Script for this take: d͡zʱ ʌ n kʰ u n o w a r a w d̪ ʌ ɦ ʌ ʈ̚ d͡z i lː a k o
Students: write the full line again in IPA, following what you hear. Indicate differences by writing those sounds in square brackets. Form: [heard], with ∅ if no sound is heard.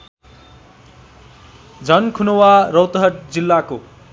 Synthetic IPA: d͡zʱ ʌ n kʰ u n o w a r [ʌ] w [t̪] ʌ ɦ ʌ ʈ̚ d͡z i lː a k o